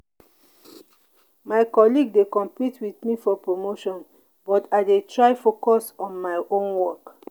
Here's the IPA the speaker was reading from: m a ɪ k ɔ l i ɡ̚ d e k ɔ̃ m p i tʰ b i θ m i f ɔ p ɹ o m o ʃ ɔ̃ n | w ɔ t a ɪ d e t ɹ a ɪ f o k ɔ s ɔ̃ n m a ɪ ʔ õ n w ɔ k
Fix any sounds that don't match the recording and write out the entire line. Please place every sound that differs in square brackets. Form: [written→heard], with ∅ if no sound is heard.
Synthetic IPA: m a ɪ k ɔ l i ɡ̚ d e k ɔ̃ m p i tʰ [b→w] i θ m i f ɔ p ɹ o m o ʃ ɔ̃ n | [w→b] ɔ t a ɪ d e t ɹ a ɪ f o k ɔ s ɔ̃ n m a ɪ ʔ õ n w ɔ k